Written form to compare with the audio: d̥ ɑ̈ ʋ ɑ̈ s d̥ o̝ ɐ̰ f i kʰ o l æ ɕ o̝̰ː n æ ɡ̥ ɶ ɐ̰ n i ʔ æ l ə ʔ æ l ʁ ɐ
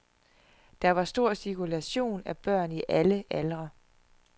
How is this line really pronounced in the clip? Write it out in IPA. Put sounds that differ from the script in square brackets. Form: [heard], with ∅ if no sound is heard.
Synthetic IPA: d̥ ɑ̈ ʋ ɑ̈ s d̥ o̝ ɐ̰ [s] i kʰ [u] l æ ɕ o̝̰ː n æ [b̥] ɶ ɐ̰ n i ʔ æ l ə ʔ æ l ʁ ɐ